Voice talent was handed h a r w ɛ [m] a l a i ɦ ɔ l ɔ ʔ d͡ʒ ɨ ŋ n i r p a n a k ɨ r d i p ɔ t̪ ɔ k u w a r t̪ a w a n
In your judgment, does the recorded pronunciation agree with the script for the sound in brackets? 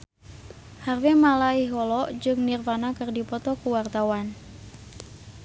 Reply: yes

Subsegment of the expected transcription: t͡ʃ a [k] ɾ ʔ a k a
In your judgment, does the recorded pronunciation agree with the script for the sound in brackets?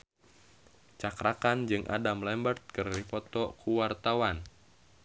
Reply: yes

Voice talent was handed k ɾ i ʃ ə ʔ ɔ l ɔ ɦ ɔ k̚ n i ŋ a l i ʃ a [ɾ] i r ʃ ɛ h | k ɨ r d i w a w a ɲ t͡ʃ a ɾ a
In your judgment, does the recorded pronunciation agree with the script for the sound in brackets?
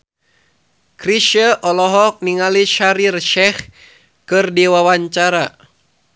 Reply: yes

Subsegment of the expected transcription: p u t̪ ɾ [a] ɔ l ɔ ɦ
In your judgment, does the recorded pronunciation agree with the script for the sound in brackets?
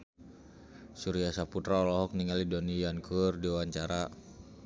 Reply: yes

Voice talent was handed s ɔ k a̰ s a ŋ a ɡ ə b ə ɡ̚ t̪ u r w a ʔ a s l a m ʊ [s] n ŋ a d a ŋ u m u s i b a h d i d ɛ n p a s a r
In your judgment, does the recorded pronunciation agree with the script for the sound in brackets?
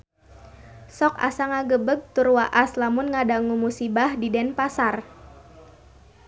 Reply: no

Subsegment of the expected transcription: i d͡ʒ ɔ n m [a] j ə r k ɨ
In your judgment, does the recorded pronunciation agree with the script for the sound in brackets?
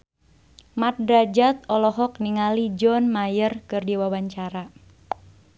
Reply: yes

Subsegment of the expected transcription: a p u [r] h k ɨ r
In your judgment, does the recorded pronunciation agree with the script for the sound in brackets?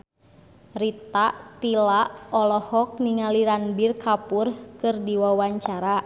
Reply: yes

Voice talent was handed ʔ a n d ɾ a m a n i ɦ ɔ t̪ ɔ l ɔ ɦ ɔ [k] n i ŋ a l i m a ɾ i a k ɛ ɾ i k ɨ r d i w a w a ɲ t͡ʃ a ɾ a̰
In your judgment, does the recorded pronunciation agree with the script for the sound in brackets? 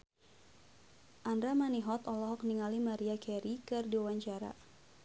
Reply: yes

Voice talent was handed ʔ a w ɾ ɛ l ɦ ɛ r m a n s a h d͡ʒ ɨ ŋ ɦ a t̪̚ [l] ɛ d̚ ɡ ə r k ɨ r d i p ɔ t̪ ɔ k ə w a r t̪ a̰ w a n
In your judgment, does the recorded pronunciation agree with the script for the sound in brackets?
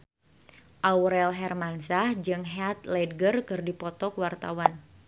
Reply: yes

